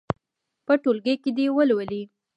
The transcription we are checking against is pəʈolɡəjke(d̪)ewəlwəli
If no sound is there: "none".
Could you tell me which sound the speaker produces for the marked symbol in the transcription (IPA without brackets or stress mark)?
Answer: d̪